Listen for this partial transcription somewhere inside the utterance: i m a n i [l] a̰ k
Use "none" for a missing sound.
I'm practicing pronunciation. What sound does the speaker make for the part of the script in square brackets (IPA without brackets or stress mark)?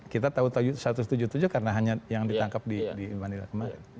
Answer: l